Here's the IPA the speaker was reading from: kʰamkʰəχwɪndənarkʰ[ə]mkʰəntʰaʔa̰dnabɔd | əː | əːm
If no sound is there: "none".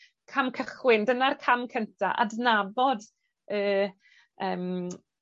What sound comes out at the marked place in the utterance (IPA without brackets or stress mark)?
a